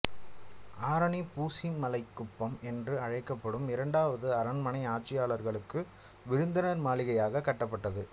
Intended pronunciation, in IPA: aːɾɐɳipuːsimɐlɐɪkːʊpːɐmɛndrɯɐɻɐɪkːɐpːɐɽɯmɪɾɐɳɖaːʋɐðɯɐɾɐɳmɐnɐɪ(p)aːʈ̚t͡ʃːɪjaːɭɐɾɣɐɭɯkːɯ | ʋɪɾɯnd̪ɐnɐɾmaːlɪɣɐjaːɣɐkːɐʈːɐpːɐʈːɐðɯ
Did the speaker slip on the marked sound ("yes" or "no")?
yes